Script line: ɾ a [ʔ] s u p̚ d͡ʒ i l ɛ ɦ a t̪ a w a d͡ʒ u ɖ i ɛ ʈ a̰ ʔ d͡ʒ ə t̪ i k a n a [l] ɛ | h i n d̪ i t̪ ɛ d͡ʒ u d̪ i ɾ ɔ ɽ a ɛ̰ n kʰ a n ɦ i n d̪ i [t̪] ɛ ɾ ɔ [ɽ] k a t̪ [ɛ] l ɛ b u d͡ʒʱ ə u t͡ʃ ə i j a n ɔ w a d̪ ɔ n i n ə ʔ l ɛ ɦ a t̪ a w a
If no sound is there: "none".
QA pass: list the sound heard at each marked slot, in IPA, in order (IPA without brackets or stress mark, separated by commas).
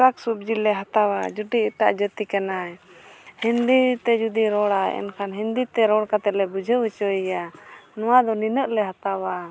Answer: k, none, t̪, ɽ, ɛ